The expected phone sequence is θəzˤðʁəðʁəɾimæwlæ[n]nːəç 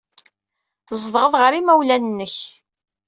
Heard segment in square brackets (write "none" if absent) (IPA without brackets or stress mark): n